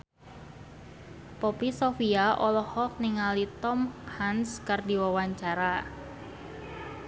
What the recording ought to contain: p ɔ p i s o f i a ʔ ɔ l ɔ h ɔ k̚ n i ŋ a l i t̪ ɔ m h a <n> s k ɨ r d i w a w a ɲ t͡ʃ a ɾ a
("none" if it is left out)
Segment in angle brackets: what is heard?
n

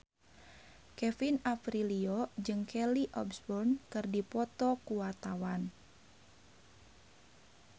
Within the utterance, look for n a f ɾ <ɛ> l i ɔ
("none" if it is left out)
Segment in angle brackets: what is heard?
i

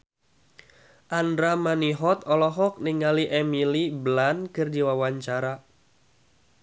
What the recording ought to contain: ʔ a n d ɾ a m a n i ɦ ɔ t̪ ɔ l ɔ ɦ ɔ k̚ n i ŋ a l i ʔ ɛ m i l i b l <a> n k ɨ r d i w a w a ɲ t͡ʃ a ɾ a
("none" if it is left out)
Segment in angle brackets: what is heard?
a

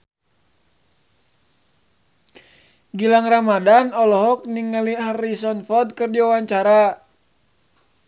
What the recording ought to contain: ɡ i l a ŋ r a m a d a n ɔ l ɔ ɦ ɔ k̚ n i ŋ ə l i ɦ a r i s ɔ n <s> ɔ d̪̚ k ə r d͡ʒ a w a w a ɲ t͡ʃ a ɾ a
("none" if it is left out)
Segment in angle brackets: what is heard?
f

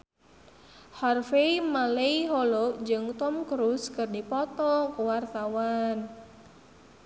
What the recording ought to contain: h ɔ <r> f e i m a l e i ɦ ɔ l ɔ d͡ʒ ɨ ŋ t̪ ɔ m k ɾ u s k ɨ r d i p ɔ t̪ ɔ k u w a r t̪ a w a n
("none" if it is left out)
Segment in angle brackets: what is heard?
r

